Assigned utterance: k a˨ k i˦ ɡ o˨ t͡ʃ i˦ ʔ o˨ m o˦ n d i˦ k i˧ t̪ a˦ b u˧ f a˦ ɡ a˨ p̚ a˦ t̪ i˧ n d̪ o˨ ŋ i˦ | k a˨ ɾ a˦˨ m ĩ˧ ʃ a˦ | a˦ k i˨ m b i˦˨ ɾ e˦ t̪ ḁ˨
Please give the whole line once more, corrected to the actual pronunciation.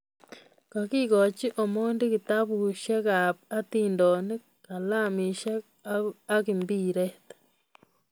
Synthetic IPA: k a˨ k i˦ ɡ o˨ t͡ʃ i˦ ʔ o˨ m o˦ n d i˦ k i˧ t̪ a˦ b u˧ ʃ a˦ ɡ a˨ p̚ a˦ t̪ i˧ n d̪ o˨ n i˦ | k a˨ l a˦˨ m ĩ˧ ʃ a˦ | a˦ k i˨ m b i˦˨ ɾ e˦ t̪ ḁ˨